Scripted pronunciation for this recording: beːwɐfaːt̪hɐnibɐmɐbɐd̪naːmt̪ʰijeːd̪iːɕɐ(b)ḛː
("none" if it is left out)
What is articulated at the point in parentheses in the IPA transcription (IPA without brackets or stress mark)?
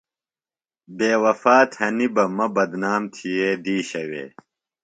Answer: w